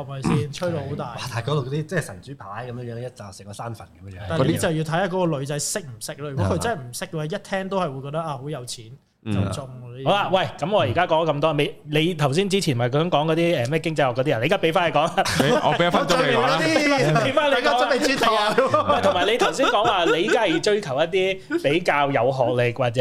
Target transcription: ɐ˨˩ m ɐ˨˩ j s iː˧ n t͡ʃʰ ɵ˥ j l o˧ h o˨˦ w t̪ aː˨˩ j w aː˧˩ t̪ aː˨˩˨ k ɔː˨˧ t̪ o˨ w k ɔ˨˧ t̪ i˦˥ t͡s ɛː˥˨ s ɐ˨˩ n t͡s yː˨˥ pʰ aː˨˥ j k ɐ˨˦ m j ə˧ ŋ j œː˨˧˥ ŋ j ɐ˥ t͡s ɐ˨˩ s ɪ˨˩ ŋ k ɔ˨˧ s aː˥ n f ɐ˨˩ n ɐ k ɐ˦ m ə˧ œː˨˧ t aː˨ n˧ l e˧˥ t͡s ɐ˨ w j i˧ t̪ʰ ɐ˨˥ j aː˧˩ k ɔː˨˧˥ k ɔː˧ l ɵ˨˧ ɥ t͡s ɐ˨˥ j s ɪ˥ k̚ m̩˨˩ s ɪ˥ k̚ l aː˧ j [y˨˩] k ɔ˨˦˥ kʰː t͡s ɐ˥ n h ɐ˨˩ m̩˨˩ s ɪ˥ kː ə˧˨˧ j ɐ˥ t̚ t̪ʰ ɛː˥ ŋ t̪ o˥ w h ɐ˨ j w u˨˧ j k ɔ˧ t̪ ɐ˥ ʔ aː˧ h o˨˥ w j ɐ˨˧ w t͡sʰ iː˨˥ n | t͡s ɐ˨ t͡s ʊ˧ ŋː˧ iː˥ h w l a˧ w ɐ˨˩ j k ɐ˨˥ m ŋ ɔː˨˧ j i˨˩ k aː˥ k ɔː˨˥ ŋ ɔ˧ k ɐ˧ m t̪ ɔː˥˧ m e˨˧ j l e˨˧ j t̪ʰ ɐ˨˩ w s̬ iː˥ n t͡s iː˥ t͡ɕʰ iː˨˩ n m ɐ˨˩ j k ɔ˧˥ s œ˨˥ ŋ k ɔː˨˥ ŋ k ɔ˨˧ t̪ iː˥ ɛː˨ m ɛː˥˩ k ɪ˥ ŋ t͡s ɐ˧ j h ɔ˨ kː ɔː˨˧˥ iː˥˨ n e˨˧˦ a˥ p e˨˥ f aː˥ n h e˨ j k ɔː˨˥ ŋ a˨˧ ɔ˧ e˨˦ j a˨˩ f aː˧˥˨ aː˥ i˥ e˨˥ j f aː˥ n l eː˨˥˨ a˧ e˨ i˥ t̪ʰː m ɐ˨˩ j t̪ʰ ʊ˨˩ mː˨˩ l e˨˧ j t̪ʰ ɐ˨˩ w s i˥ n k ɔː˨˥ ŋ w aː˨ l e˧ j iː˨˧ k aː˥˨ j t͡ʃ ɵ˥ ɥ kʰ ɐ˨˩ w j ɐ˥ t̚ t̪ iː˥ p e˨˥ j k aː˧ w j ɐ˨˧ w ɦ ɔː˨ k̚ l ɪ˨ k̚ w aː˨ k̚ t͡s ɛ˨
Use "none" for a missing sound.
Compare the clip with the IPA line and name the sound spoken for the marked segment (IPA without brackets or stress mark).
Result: y˨˩